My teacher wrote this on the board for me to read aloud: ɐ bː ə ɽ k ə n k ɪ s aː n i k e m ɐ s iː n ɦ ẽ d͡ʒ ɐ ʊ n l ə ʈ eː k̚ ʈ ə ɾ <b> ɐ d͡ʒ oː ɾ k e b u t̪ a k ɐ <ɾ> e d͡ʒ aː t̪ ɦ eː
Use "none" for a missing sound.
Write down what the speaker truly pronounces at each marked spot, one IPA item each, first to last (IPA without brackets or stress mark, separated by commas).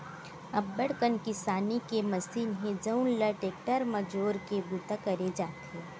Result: m, ɾ